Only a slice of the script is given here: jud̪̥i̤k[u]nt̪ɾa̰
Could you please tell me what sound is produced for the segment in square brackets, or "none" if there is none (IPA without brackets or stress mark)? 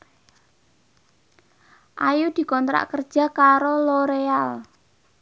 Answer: ɔ